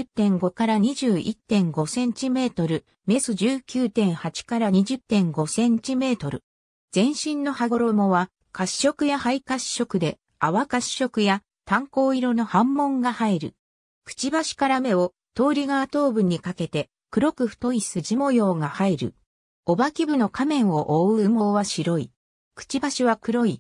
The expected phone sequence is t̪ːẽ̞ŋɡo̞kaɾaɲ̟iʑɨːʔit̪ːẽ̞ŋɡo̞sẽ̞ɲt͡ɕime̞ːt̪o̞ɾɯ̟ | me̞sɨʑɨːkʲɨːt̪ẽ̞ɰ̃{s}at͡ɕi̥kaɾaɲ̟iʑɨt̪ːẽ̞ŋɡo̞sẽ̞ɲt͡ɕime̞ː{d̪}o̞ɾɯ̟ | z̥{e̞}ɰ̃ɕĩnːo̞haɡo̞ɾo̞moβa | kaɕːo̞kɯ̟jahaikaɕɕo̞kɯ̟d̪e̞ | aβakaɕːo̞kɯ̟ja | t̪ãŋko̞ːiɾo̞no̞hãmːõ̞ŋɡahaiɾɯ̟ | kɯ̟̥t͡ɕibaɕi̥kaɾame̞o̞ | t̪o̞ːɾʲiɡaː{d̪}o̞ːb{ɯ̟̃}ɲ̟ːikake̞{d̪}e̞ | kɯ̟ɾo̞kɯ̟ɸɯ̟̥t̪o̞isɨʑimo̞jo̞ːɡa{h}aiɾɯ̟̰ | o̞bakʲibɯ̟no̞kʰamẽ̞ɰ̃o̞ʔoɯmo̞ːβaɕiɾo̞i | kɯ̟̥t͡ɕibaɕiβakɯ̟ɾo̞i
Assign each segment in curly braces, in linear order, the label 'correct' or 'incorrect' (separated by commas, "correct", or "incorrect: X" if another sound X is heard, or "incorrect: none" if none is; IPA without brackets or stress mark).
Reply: incorrect: h, incorrect: t̪, incorrect: ẽ̞, incorrect: t̪, incorrect: ɯ̟, incorrect: t̪, correct